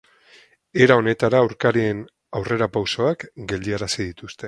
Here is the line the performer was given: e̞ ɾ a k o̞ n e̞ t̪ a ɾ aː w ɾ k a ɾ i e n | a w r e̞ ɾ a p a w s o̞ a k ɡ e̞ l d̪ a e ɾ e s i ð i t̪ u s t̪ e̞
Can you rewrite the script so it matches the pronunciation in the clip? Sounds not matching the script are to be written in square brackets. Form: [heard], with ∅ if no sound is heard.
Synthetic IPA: e̞ ɾ a [∅] o̞ n e̞ t̪ a ɾ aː w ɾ k a ɾ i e n | a w r e̞ ɾ a p a w s o̞ a k ɡ e̞ l d̪ [i] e ɾ [a] s i ð i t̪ u s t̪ e̞